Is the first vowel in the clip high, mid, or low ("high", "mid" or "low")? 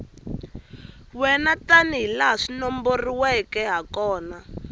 mid